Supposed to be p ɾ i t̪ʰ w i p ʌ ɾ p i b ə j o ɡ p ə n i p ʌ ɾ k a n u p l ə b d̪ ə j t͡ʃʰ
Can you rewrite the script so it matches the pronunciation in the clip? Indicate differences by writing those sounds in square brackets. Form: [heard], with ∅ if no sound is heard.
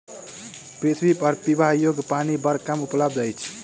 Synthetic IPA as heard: p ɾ i t̪ʰ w i p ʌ ɾ p i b [a] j o ɡ p [a] n i [b] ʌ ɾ k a [m] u p l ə b d̪ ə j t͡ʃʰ